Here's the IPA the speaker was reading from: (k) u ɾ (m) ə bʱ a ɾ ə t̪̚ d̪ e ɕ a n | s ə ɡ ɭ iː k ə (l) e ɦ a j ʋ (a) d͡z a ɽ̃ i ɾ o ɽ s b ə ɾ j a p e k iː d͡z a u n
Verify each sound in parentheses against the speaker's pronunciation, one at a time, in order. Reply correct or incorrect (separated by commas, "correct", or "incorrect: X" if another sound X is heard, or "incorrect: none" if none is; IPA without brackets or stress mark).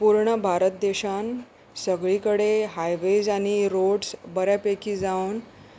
incorrect: p, incorrect: ɳ, incorrect: ɽ, incorrect: e